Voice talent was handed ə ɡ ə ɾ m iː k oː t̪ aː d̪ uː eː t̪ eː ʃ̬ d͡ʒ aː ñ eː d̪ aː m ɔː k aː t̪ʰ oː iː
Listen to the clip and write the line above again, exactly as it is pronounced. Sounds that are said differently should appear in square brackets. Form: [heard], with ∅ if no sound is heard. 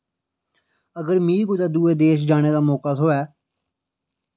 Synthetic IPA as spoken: ə ɡ ə ɾ m iː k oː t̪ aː d̪ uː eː [d̪] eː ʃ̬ d͡ʒ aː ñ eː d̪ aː m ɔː k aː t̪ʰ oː [ɛː]